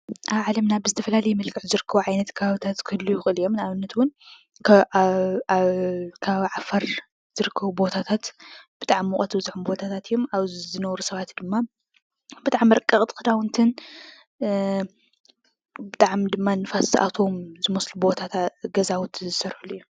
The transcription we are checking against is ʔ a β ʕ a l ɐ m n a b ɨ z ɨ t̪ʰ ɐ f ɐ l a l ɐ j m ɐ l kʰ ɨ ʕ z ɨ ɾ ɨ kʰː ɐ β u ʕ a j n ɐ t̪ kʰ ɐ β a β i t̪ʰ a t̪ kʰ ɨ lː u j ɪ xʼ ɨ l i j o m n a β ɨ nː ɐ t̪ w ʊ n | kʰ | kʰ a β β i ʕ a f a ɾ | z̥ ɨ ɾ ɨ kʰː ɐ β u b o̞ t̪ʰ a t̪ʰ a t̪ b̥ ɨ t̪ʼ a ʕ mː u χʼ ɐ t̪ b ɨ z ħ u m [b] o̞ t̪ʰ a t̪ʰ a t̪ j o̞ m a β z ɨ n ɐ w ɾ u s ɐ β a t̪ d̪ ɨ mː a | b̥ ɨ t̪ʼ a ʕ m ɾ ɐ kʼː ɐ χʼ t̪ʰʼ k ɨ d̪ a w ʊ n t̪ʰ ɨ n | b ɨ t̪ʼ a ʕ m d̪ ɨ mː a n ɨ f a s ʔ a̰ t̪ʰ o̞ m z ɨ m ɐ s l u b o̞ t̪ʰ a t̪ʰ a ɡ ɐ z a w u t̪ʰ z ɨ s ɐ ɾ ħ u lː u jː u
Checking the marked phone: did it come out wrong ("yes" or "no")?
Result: no